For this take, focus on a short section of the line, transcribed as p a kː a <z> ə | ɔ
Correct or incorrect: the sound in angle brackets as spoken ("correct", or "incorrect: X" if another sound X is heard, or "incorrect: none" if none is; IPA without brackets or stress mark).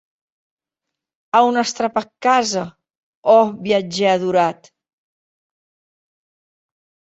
correct